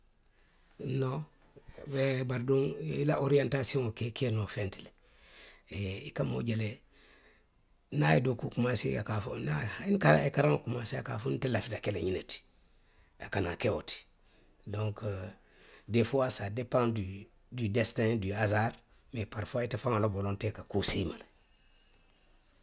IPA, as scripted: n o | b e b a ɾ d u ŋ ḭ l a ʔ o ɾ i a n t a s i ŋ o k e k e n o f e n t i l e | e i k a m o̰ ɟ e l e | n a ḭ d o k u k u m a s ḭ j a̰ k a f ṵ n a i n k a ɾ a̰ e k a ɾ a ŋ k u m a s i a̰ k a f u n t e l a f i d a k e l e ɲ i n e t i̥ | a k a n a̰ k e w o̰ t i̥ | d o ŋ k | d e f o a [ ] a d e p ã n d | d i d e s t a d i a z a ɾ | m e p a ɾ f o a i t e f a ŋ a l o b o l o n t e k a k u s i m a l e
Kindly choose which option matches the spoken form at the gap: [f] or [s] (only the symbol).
s